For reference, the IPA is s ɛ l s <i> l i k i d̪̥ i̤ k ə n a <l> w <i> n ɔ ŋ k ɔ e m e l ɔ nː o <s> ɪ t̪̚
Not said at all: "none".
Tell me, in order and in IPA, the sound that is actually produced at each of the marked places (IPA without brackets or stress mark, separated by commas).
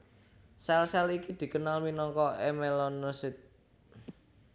ɛ, l, i, s